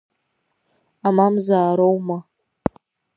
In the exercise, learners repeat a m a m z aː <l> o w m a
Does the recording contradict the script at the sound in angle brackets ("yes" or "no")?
yes